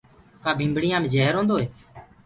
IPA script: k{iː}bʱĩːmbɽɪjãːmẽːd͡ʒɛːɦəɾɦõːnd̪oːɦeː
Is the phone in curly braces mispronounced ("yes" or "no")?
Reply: yes